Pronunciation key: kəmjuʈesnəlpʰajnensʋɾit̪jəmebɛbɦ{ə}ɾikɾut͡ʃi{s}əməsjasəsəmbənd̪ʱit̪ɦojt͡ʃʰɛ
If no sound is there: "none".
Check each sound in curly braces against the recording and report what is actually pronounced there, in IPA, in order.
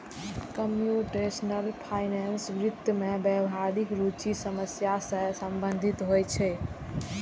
a, s

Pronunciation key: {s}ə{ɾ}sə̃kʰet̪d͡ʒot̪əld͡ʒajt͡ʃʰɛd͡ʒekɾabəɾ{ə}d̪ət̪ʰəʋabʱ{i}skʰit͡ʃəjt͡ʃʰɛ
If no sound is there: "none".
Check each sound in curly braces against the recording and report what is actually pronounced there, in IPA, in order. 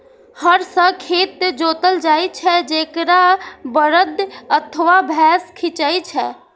h, ɾ, ə, ɛ

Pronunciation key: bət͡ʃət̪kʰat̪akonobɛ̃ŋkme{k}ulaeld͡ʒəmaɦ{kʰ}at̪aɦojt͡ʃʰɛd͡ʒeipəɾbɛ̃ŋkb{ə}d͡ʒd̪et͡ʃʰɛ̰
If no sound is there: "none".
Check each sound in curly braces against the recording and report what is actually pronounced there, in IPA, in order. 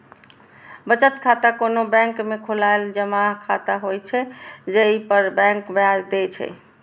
kʰ, kʰ, a

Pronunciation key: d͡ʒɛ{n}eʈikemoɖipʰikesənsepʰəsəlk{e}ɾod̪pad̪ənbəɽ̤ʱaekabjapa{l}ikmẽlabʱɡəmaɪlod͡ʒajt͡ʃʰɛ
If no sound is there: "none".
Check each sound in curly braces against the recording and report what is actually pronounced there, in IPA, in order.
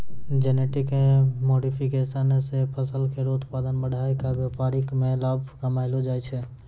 n, e, ɾ

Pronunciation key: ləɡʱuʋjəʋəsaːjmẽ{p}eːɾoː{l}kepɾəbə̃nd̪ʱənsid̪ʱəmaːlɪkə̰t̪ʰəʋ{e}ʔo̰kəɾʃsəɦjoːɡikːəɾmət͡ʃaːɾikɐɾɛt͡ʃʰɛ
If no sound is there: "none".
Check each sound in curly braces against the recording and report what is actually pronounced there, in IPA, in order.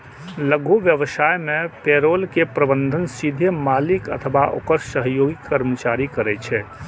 p, l, a

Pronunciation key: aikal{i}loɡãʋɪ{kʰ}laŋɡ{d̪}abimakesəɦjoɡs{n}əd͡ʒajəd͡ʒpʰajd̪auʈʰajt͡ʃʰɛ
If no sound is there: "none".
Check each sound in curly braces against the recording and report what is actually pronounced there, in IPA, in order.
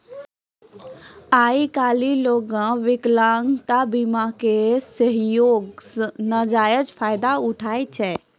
i, k, t̪, n

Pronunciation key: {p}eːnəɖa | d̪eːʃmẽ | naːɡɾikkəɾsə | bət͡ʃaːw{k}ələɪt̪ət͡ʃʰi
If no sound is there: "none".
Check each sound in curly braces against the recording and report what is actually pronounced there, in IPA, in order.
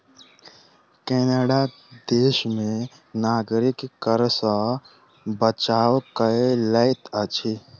k, k

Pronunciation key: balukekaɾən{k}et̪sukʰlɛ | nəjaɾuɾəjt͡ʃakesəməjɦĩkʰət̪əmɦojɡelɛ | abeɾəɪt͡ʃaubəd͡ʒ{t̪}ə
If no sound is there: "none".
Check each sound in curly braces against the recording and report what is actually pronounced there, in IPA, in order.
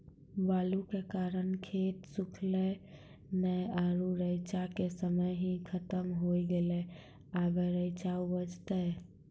kʰ, t̪

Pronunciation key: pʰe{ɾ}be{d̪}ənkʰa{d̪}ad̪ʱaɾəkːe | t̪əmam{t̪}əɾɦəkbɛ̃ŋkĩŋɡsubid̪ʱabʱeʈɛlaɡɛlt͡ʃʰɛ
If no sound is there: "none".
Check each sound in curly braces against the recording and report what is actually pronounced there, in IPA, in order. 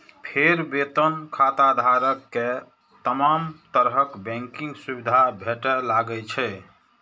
ɾ, t̪, t̪, t̪

